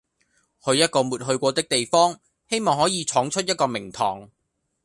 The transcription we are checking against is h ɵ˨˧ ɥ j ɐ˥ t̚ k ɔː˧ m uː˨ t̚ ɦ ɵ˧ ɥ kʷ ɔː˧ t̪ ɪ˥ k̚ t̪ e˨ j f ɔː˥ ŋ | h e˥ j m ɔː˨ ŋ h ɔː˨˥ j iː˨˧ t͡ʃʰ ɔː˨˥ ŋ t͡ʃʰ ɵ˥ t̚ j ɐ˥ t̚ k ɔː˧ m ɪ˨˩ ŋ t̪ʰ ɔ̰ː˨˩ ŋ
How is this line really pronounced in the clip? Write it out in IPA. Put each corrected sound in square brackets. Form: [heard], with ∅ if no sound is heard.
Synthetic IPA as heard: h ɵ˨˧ ɥ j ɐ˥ t̚ k ɔː˧ m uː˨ t̚ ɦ ɵ˧ ɥ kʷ ɔː˧ t̪ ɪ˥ k̚ t̪ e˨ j f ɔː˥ ŋ | h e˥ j m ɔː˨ ŋ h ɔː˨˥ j iː˨˧ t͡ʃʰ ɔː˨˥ ŋ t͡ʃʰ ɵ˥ t̚ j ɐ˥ t̚ k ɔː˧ m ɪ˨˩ ŋ t̪ʰ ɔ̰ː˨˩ ŋ